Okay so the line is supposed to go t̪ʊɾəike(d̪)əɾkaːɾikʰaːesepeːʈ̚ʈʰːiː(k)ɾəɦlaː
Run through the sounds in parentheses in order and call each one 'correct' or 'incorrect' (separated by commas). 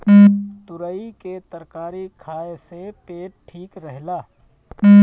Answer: incorrect, correct